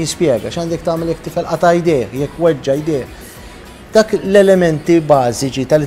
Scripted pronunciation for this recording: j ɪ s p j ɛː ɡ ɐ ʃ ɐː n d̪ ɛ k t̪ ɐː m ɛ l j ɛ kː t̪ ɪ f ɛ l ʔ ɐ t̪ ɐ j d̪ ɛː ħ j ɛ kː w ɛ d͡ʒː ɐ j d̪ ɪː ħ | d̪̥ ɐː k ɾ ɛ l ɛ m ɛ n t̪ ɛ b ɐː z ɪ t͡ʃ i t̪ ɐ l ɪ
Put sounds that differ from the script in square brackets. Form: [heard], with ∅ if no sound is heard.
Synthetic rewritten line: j ɪ s p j ɛː ɡ ɐ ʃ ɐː n d̪ ɛ k t̪ ɐː m ɛ l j ɛ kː t̪ ɪ f ɛ l ʔ ɐ t̪ ɐ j d̪ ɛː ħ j ɛ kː w ɛ d͡ʒː ɐ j d̪ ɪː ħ | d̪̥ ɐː k [l] ɛ l ɛ m ɛ n t̪ [i] b ɐː z ɪ t͡ʃ i t̪ ɐ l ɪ